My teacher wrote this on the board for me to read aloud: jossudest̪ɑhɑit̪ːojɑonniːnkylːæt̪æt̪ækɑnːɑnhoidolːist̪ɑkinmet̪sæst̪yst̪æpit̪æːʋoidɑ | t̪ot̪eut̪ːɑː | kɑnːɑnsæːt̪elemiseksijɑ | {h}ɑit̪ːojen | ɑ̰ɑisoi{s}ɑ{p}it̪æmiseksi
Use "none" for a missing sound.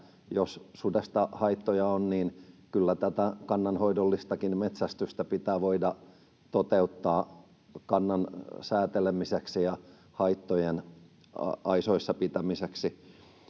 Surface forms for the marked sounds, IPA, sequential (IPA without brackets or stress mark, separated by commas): h, sː, p